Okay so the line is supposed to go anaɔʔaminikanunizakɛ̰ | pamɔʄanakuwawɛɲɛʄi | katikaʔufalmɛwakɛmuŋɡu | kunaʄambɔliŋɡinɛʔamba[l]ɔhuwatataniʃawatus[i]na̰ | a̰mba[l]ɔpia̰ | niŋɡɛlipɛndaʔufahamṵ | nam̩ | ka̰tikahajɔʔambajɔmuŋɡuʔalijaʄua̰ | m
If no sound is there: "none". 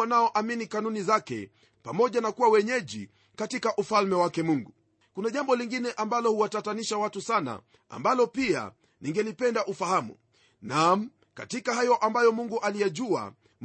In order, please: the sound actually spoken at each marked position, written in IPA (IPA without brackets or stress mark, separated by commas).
l, a, l